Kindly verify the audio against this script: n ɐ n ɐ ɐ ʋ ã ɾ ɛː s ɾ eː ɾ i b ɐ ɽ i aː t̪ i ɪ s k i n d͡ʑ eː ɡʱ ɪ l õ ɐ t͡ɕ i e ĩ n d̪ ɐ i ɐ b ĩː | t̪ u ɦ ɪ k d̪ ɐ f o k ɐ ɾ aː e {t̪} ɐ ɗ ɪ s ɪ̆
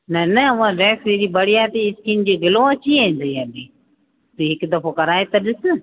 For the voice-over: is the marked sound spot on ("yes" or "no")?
yes